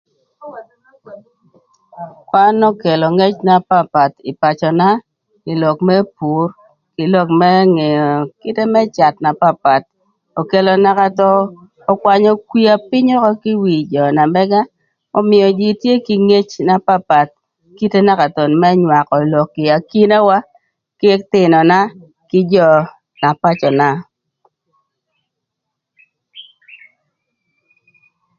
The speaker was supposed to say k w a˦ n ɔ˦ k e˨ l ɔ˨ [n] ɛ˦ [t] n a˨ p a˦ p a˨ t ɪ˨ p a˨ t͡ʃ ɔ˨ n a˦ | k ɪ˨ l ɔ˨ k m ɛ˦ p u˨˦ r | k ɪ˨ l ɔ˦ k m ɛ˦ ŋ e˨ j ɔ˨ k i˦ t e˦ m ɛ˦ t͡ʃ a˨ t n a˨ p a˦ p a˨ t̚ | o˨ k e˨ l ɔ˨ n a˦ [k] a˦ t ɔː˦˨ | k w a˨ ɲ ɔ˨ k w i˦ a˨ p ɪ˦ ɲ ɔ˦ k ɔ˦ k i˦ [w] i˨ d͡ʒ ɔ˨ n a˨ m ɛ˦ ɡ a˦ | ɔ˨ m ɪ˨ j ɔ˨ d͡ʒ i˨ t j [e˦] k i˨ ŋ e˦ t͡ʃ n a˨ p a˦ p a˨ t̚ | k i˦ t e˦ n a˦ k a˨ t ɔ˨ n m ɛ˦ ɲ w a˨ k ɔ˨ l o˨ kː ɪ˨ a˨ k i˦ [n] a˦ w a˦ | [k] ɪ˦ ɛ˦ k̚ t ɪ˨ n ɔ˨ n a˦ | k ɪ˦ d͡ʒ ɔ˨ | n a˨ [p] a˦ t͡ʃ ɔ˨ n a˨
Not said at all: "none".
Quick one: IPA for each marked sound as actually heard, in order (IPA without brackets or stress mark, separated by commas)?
ŋ, t͡ʃ, k, w, e˦, n, k, p